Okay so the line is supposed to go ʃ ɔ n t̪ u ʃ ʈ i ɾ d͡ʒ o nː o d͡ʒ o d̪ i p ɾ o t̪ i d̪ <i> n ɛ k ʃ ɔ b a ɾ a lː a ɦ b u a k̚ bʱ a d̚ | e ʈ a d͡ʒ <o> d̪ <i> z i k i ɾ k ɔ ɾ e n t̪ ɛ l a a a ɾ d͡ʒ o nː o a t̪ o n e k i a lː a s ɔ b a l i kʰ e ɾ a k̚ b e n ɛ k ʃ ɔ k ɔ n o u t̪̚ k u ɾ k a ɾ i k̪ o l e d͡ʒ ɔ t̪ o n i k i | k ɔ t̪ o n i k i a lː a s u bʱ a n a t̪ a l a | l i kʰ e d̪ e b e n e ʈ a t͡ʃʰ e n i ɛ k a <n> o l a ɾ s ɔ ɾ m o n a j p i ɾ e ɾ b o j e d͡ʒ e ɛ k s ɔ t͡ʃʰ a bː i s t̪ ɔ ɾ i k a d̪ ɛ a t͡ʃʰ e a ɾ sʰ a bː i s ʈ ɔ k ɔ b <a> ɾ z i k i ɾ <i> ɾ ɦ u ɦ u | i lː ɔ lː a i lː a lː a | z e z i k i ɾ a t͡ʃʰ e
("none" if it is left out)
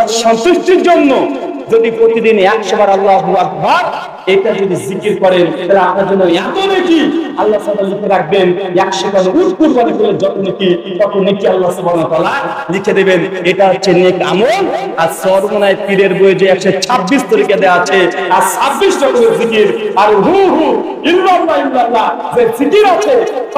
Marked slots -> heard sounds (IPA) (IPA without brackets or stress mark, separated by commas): i, o, i, m, e, a